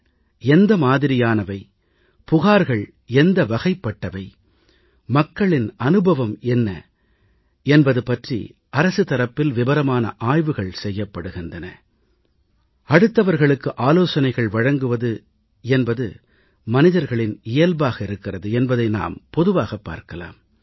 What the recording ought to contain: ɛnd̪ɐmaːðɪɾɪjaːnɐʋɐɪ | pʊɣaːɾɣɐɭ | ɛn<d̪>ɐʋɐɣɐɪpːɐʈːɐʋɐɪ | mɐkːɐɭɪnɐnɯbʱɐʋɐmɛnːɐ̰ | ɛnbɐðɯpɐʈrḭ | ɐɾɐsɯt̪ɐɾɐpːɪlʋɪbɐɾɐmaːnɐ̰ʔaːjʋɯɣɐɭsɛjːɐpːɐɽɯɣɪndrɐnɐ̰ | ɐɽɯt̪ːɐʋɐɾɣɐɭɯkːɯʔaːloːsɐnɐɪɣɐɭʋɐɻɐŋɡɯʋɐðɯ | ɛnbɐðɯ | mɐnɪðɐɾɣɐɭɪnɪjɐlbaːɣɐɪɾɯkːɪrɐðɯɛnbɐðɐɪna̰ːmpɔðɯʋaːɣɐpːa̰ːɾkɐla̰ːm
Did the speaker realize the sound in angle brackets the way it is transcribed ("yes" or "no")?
yes